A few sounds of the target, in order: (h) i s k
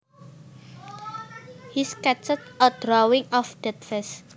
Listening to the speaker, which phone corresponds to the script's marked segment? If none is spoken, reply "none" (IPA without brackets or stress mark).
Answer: h